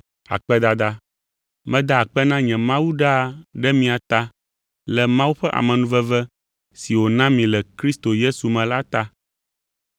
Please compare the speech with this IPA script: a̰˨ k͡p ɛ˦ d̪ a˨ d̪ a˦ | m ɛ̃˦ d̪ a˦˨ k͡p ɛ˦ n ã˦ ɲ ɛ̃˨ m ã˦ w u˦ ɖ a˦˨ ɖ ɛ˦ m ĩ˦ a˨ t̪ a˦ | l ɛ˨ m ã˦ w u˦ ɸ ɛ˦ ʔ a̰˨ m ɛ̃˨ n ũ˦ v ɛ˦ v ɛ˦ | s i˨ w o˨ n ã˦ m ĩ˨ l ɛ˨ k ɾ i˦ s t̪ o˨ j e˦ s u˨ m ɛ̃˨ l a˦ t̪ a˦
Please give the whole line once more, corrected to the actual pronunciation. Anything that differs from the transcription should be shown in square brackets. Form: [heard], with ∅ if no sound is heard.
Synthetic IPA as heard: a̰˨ k͡p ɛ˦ d̪ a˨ d̪ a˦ | m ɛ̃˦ d̪ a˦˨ k͡p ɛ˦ n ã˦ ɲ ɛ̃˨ m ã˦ w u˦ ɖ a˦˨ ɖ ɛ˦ m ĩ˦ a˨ t̪ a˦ | l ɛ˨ m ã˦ w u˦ ɸ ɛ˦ ʔ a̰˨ m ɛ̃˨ n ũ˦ v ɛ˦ v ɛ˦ | s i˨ w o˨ n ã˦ m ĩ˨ l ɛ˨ k ɾ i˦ s t̪ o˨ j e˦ s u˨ m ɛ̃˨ l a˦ t̪ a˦